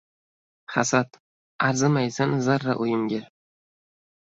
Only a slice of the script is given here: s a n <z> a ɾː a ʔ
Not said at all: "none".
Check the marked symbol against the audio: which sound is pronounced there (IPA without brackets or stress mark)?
z